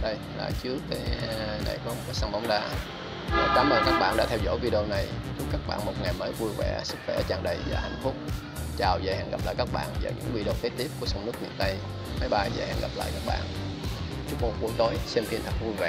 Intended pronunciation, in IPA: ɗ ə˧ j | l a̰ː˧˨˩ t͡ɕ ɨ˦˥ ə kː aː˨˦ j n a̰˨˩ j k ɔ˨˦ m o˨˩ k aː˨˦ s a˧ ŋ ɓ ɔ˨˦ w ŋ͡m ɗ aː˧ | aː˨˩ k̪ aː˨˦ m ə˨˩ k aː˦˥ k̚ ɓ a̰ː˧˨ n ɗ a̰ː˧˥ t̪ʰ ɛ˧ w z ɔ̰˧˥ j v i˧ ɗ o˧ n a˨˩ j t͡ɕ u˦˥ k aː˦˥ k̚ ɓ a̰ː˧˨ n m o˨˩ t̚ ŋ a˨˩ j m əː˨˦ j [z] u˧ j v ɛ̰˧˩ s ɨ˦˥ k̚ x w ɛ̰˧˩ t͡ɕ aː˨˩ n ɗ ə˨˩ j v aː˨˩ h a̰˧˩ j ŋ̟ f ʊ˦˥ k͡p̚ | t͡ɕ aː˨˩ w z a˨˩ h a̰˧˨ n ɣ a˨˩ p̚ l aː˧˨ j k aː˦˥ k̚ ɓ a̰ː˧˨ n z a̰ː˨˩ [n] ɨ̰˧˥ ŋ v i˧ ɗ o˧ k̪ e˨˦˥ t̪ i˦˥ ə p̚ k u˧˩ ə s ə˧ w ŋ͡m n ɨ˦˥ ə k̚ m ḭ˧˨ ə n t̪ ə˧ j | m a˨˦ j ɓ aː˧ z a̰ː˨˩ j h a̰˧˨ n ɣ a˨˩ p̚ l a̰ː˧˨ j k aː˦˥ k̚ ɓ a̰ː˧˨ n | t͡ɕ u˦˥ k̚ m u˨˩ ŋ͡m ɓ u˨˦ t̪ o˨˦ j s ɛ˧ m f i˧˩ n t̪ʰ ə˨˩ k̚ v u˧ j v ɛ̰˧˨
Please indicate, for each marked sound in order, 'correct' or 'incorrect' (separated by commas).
incorrect, incorrect